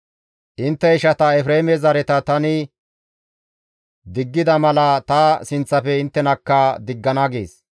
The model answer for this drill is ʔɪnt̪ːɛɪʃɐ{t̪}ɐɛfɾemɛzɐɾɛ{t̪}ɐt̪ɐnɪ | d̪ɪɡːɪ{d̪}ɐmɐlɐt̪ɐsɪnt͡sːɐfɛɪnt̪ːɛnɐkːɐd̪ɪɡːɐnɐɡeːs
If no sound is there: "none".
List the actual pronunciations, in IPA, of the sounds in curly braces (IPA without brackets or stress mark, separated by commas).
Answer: t̪, t̪, d̪